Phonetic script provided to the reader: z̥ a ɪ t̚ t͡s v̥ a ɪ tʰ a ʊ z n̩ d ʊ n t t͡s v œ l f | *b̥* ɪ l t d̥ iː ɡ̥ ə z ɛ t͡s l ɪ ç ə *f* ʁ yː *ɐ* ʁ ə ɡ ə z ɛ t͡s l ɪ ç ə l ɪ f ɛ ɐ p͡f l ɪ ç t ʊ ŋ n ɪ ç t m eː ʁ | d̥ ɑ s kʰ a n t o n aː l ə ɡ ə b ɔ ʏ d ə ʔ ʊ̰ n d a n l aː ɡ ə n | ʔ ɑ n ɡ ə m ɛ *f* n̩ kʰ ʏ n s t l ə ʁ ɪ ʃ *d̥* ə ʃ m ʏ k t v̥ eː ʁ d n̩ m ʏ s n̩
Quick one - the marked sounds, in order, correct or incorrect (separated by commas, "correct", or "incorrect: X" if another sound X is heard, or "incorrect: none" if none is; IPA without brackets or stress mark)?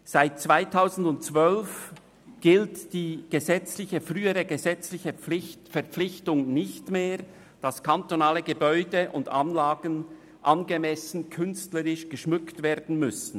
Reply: incorrect: ɡ̥, correct, incorrect: ə, incorrect: s, incorrect: ɡ̥